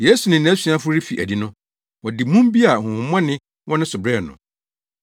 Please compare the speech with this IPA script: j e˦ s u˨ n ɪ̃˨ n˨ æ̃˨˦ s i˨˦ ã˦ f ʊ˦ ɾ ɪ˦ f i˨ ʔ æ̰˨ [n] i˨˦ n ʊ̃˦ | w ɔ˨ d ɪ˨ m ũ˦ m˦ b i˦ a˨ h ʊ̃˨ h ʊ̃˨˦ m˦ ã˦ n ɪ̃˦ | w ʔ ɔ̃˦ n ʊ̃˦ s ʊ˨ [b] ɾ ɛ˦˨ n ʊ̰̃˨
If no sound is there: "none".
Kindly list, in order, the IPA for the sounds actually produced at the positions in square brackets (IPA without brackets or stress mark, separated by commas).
d, b